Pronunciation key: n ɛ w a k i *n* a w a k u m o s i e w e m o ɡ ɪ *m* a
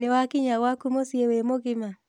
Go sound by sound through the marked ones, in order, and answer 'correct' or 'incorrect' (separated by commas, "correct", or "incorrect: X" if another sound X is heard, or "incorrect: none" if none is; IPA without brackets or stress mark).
incorrect: ɲ, correct